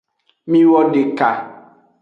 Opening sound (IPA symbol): m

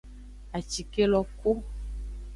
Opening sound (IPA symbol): a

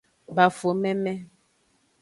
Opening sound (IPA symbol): b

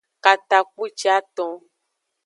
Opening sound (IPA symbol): k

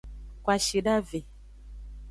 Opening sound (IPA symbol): k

